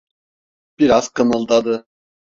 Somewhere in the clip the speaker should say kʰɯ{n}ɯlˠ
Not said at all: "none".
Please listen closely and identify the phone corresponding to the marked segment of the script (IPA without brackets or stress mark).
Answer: n